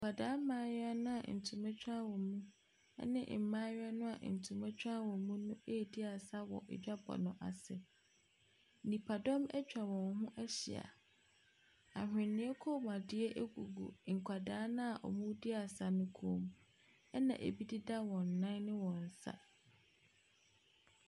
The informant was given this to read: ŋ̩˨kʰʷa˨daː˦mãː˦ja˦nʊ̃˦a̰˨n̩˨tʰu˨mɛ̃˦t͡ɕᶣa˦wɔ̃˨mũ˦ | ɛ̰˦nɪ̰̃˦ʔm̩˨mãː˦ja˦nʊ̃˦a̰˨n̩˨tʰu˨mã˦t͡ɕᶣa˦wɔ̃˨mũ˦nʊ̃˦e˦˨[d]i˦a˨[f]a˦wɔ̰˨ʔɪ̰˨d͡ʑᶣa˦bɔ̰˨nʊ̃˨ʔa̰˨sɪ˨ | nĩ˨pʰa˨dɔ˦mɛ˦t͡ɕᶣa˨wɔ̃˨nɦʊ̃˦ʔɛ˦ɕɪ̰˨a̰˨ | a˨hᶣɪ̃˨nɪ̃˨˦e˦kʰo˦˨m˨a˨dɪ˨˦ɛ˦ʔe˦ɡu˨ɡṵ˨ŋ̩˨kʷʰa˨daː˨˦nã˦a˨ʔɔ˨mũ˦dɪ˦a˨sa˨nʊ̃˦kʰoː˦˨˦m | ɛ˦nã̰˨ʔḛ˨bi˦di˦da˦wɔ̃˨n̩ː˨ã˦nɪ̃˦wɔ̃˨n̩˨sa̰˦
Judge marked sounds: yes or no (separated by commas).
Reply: yes, no